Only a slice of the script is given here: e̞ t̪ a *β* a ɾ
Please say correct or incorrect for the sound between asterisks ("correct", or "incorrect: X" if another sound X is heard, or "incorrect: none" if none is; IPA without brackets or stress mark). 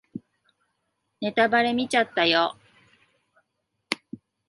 incorrect: b